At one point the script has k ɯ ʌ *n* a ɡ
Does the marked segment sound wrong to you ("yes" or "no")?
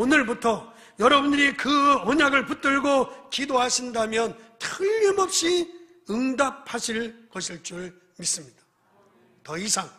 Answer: yes